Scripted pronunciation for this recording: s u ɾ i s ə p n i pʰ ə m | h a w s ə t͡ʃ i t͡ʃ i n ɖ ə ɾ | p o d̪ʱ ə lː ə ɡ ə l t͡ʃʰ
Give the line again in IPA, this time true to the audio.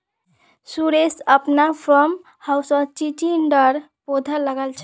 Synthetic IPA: s u ɾ e s ə p n a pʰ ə m | h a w s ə t͡ʃ i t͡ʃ i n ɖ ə ɾ | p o d̪ʱ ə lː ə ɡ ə l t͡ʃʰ